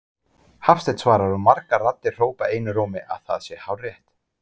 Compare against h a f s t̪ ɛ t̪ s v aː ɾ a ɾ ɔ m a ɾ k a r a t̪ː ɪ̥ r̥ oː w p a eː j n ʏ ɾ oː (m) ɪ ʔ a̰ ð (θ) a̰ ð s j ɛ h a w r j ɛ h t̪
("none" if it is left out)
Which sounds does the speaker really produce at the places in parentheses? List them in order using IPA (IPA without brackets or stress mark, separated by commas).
m, θ